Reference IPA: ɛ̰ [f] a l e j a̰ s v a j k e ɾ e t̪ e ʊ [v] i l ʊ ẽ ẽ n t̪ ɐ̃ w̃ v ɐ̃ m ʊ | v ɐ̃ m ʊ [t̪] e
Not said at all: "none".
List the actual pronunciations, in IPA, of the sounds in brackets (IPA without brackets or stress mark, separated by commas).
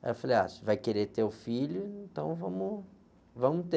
f, f, t̪